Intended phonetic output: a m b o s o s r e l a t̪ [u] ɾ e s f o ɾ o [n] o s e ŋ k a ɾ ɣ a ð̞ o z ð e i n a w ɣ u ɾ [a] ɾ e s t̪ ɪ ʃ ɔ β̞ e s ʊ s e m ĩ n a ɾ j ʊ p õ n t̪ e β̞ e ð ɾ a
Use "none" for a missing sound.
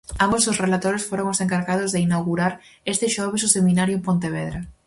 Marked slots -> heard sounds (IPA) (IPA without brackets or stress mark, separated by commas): o, ŋ, a